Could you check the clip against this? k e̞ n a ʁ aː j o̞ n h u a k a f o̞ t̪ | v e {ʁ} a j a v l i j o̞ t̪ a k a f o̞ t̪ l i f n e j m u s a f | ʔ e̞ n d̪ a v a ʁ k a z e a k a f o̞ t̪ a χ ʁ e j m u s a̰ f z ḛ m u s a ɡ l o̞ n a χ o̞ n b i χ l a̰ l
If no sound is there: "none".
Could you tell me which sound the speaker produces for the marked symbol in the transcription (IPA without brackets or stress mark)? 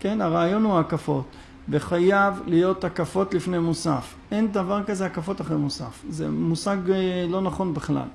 χ